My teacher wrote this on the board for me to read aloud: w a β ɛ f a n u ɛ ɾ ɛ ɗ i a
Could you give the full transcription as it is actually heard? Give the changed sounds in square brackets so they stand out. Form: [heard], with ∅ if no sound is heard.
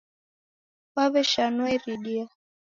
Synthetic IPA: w a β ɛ [ʃ] a n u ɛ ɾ [i] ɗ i a